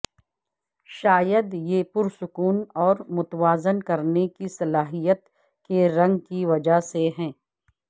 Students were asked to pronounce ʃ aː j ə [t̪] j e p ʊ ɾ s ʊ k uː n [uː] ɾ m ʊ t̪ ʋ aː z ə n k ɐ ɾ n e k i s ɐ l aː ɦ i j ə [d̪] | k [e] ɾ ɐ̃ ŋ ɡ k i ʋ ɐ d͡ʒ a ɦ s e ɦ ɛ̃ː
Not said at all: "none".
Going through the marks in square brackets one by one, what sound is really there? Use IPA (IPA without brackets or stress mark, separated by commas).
d̪, ɔː, t̪, e